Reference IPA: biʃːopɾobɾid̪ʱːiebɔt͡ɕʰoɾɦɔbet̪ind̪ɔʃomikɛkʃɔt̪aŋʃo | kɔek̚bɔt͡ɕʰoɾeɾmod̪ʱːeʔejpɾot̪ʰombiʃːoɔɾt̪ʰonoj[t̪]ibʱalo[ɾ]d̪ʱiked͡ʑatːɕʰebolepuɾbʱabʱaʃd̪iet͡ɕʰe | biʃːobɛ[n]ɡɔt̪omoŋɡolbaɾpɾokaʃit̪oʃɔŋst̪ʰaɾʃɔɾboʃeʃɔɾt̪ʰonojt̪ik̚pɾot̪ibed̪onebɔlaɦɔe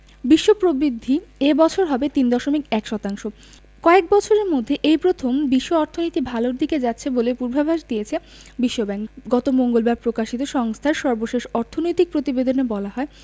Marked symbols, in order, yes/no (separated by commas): yes, yes, no